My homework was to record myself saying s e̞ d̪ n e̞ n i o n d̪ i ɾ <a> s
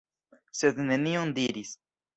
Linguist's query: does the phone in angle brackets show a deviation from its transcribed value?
yes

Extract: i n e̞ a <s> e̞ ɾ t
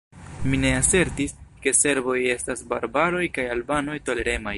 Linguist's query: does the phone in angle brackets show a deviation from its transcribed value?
no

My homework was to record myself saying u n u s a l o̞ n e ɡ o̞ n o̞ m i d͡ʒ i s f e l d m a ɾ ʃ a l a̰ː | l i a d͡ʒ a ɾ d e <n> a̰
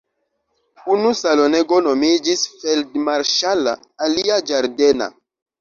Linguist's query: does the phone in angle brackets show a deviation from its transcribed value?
no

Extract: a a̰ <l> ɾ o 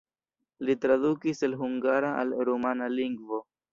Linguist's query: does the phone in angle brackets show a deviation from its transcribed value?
no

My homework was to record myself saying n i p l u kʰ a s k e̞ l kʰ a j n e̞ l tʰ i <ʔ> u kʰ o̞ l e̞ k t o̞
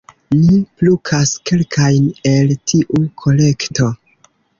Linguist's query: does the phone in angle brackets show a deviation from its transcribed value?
no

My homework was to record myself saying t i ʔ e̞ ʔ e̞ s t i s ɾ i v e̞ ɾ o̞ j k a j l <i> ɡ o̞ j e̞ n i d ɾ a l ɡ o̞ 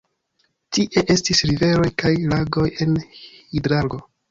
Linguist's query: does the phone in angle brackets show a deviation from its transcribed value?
yes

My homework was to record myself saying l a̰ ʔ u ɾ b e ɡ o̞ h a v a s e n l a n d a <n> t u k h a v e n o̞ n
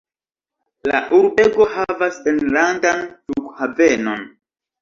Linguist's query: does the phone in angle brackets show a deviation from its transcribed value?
no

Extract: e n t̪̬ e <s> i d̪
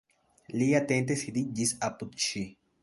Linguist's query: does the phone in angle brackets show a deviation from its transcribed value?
no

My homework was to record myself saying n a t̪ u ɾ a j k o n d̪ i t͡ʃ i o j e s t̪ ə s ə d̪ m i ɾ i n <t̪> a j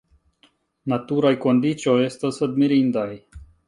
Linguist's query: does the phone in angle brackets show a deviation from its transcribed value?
yes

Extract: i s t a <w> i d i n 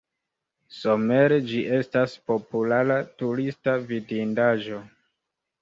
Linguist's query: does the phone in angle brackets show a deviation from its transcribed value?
yes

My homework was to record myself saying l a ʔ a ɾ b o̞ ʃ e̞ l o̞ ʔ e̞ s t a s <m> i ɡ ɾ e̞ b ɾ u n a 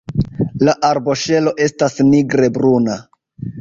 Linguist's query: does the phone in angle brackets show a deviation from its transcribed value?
yes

